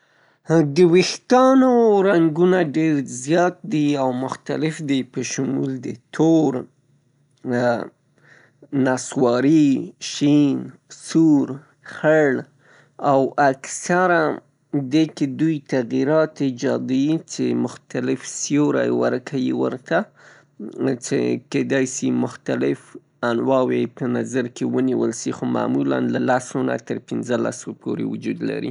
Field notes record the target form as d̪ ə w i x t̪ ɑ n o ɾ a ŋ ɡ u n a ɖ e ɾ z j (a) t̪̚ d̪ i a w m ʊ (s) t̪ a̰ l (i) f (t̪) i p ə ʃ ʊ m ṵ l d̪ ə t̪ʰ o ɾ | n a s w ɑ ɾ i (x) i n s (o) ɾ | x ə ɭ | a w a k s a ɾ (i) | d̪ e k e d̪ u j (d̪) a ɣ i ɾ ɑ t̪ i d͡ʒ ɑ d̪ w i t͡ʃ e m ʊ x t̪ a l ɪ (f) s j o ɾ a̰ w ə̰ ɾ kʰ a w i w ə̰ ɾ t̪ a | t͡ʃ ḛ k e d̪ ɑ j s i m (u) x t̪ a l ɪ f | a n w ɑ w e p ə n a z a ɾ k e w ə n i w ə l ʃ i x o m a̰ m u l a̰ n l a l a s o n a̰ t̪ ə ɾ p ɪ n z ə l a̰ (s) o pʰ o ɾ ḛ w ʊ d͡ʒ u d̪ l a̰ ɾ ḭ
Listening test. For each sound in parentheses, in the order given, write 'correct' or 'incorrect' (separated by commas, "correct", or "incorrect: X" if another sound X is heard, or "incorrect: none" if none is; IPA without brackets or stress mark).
incorrect: ɑ, incorrect: x, incorrect: ɪ, incorrect: d̪, incorrect: ʃ, incorrect: u, incorrect: a, incorrect: t̪, correct, incorrect: ʊ, correct